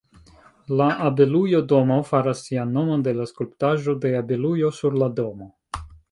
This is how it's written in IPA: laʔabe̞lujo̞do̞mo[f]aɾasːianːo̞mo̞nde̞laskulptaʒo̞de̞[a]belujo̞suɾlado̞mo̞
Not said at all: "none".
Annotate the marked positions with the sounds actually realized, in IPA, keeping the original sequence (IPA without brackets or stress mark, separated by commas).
f, a